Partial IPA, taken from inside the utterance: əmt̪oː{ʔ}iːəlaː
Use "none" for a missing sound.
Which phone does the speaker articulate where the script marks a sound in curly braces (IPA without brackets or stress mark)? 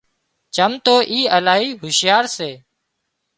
ʔ